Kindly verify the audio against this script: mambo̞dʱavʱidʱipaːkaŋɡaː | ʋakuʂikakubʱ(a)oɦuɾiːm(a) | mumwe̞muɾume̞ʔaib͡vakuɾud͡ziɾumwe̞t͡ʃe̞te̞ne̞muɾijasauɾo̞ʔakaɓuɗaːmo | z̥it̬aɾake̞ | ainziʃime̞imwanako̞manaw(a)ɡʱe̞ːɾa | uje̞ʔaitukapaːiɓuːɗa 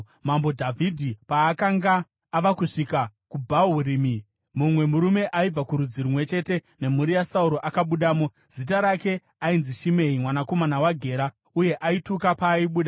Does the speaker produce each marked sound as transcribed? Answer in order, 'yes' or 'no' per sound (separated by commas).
yes, no, yes